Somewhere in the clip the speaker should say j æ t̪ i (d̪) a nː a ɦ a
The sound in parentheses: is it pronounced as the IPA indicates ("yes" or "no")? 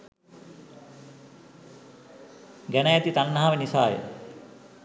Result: no